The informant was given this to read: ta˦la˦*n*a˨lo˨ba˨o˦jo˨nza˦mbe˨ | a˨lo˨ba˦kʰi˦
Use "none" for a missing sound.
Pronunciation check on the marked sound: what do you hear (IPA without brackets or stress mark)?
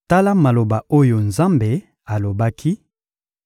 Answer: m